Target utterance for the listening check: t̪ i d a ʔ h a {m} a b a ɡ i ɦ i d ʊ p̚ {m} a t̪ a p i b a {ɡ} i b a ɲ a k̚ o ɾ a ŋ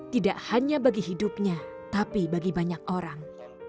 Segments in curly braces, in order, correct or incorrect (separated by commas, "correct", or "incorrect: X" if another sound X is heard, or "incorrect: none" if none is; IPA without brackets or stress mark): incorrect: ɲ, incorrect: ɲ, correct